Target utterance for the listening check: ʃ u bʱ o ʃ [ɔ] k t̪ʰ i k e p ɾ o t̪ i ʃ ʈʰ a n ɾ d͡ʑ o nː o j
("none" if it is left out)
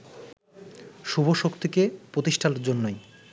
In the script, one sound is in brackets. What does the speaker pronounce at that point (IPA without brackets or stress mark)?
o